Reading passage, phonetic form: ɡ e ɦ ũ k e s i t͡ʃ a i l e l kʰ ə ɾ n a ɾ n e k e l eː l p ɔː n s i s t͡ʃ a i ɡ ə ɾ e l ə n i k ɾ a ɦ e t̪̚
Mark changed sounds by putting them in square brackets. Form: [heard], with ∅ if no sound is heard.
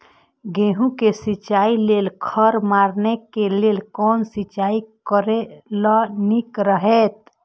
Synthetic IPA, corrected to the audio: ɡ e ɦ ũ k e s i t͡ʃ a i l e l kʰ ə ɾ [m] a ɾ n e k e l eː l [k] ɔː n s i [∅] t͡ʃ a i [k] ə ɾ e l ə n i k ɾ [ə] ɦ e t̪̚